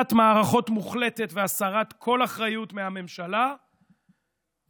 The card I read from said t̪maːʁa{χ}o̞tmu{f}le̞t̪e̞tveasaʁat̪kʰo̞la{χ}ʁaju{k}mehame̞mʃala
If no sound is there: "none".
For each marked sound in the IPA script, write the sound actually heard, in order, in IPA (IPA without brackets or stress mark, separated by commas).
χ, χ, χ, t